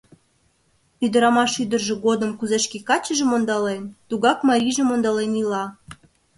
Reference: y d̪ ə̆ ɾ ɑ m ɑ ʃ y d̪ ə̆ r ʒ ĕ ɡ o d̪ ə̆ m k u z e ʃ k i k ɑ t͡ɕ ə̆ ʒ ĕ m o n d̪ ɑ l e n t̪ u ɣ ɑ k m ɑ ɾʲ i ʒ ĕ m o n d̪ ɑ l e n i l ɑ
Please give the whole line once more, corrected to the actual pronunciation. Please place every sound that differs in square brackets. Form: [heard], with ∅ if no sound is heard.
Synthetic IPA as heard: y d̪ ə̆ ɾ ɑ m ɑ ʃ y d̪ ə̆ r ʒ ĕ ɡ o d̪ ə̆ m k u z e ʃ k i k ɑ t͡ɕ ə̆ ʒ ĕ m o n d̪ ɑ l e n t̪ u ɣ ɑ k m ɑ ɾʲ i ʒ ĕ m o n d̪ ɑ l e n i l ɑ